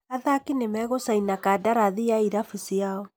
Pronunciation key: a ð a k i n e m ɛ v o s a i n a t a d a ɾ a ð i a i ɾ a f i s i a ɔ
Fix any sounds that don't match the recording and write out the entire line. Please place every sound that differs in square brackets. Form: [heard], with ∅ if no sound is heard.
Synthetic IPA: a ð a k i n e m ɛ [ɣ] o s a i n a [k] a d a ɾ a ð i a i ɾ a f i s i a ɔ